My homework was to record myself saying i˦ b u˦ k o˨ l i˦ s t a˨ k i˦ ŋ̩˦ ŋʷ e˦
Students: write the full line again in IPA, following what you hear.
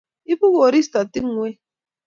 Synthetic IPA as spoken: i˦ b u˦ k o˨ ɾ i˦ s t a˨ t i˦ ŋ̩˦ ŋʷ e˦